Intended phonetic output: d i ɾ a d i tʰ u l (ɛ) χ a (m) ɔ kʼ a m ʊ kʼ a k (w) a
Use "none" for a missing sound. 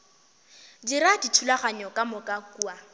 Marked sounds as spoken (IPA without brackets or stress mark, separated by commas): a, ɲ, u